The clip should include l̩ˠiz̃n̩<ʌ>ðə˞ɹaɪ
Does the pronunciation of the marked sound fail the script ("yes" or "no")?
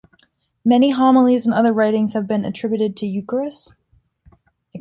no